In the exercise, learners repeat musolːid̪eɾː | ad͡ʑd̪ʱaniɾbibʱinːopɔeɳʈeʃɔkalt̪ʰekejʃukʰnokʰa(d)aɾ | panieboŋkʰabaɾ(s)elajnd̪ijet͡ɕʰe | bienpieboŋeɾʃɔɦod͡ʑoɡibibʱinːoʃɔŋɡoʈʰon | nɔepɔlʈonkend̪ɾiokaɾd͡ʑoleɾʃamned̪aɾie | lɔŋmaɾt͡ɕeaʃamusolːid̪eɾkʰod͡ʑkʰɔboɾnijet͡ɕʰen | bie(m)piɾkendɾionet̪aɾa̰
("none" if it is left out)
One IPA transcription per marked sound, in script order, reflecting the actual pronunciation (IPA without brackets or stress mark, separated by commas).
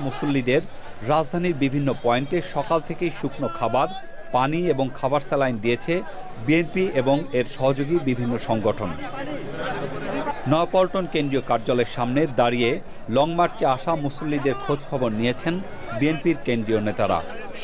b, s, n